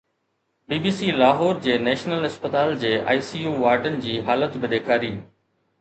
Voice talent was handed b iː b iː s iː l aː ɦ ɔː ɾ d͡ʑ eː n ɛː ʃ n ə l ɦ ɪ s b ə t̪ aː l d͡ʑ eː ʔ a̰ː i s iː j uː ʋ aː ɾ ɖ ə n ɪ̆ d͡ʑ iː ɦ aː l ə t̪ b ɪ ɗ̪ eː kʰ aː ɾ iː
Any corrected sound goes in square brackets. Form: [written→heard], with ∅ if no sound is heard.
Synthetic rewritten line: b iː b iː s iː l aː ɦ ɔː ɾ d͡ʑ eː n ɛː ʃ n ə l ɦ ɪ s [b→p] ə t̪ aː l d͡ʑ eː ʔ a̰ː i s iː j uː ʋ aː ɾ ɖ ə n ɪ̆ d͡ʑ iː ɦ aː l ə t̪ b ɪ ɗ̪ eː kʰ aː ɾ iː